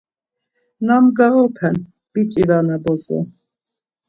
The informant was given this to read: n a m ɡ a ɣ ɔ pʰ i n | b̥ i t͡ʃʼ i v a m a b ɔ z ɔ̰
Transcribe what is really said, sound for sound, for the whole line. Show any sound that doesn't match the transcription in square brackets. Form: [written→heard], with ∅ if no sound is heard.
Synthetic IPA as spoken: n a m ɡ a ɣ ɔ pʰ [i→ɛ] n | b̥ i t͡ʃʼ i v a [m→n] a b ɔ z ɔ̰